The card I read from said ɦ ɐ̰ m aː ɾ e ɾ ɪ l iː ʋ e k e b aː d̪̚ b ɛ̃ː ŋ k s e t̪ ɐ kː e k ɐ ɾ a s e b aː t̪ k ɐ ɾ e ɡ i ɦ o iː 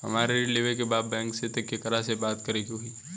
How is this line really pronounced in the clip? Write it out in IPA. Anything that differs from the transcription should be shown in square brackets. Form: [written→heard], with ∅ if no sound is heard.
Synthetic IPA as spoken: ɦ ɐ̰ m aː ɾ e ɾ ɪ l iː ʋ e k e b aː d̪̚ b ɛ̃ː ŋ k s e t̪ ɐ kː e k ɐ ɾ a s e b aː t̪ k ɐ ɾ e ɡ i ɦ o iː